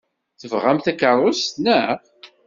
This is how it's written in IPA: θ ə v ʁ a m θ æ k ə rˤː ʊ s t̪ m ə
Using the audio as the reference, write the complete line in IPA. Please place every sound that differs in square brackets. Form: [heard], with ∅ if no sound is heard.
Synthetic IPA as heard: θ ə v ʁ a m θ æ k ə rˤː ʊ s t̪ [n] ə

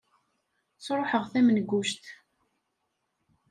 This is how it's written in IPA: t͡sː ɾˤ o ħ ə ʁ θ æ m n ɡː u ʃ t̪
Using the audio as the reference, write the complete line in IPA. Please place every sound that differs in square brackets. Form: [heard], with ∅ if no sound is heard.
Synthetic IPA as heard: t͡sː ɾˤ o ħ ə ʁ θ æ m n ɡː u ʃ t̪

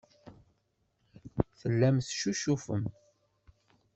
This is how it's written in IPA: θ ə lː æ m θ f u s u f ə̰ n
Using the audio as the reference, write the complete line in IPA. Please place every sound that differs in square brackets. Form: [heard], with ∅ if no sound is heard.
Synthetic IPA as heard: θ ə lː æ m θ [ʃ] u [ʃ] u f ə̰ [m]

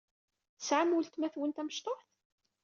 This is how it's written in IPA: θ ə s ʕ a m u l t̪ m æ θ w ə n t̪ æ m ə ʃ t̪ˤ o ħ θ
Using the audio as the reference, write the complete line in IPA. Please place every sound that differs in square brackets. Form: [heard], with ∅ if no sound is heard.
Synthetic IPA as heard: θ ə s ʕ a m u l t̪ m æ θ w ə n t̪ æ m ə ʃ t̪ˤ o ħ θ

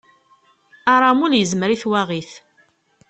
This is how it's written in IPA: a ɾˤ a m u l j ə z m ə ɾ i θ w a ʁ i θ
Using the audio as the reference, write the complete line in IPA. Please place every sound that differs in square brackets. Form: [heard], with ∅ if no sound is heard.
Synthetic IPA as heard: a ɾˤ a m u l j ə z m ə ɾ i θ w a ʁ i θ

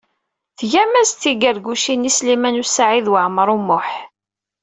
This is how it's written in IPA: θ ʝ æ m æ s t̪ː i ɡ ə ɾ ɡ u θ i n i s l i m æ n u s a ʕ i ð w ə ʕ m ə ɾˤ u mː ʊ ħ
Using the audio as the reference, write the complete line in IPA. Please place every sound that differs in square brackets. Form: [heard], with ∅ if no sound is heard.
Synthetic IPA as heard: θ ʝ æ m æ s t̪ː i ɡ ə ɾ ɡ u [ʃ] i n i s l i m æ n u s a ʕ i ð w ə ʕ m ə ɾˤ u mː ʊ ħ

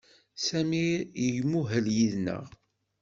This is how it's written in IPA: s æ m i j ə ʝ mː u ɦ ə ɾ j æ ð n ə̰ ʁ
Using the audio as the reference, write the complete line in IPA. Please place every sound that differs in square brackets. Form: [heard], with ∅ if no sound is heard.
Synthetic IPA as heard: s æ m i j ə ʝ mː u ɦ ə [l] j [i] ð n ə̰ ʁ

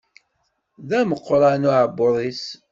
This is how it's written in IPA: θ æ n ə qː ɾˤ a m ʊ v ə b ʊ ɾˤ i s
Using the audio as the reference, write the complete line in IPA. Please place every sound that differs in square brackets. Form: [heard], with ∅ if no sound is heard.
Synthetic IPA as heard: [ð] æ [m] ə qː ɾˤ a [n] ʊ [ʕ] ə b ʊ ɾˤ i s

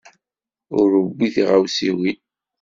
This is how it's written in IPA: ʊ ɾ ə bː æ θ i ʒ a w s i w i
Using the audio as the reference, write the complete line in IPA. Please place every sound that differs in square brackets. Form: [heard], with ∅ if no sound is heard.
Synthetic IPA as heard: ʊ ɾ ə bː [i] θ i [ʁ] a w s i w i

